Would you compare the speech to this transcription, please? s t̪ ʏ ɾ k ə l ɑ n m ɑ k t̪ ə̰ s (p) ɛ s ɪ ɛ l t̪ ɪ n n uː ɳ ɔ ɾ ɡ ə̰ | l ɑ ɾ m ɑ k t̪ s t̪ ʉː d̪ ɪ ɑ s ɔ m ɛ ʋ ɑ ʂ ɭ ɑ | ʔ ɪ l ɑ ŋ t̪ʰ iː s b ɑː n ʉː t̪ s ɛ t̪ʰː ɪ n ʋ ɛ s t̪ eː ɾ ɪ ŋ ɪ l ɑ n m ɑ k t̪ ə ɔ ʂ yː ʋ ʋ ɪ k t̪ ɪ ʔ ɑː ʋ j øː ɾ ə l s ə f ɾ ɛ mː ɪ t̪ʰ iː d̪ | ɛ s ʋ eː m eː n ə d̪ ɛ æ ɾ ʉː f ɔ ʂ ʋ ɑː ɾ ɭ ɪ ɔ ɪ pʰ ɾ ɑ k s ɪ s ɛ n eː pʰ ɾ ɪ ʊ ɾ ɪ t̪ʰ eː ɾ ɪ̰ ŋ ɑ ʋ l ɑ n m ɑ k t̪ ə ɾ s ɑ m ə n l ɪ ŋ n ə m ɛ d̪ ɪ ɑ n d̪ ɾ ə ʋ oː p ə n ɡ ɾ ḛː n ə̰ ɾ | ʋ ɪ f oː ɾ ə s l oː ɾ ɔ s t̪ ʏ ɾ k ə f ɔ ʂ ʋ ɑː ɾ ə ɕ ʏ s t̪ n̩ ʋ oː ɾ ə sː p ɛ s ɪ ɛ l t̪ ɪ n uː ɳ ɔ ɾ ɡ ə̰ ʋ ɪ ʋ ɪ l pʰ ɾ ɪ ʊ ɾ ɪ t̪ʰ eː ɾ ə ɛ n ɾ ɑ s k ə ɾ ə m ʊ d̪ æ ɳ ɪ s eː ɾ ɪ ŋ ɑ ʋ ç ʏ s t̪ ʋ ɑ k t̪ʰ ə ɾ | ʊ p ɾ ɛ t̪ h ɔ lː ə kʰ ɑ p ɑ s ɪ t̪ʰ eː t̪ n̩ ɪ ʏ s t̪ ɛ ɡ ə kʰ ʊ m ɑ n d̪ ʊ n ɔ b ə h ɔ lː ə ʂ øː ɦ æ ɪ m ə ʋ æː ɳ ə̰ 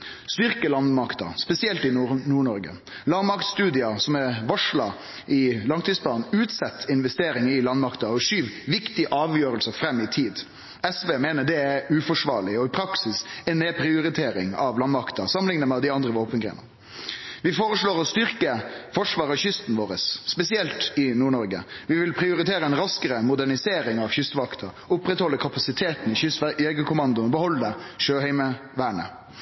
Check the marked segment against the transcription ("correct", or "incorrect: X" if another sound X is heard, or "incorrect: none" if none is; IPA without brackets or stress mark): correct